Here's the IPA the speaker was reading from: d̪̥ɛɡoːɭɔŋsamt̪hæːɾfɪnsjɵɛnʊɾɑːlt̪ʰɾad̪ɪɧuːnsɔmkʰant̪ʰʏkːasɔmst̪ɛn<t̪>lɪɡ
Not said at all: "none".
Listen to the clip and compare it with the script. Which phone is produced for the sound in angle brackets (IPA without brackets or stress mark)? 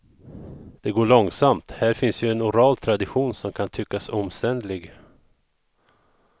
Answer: d̪